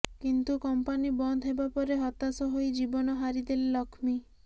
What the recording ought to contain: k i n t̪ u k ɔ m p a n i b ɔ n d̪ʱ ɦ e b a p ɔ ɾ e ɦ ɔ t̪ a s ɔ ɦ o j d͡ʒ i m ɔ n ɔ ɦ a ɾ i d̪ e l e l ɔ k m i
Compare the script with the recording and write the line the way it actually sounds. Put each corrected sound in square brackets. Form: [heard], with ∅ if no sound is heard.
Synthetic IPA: k i n t̪ u k ɔ m p a n i b ɔ n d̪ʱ ɦ e b a p ɔ ɾ e ɦ ɔ t̪ a s ɔ ɦ o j d͡ʒ i [b] ɔ n ɔ ɦ a ɾ i d̪ e l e l ɔ [kʰ] m i